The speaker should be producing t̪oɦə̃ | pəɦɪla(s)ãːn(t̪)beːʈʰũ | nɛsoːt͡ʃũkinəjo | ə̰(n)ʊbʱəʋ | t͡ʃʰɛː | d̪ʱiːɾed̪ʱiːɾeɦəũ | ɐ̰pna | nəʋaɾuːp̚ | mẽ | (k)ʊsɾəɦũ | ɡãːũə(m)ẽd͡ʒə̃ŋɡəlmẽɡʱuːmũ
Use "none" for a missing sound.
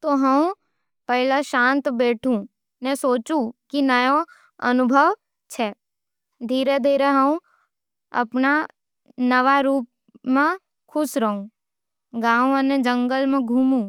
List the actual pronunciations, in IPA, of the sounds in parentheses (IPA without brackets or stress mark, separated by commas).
ʃ, t̪, n, kʰ, n